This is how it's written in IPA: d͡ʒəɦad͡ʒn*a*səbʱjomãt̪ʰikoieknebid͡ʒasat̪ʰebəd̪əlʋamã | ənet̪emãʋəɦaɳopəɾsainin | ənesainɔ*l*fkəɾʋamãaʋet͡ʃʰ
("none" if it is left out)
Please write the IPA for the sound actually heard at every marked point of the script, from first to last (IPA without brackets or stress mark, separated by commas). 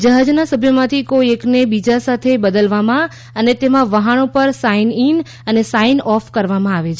a, none